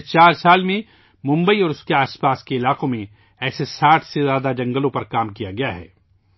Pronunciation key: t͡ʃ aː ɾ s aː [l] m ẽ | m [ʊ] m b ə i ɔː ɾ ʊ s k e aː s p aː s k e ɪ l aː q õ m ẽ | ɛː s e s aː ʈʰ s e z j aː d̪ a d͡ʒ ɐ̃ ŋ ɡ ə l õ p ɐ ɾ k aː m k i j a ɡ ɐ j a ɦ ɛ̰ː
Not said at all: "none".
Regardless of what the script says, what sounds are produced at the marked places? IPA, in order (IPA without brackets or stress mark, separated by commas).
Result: l, ʊ̃